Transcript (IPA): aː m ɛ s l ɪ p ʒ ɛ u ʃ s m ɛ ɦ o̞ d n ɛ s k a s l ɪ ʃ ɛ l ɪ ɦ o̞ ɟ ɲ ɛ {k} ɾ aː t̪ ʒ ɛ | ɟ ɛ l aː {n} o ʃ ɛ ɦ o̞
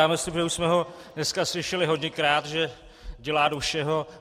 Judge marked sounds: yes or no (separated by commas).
yes, no